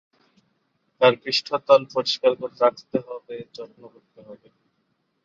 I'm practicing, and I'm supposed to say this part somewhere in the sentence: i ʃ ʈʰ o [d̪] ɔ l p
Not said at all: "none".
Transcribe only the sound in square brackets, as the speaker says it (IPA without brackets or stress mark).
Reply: t̪